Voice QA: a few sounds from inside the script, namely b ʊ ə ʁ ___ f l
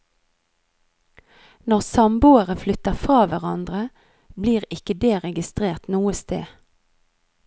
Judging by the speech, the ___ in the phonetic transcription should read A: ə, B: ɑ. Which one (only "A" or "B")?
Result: A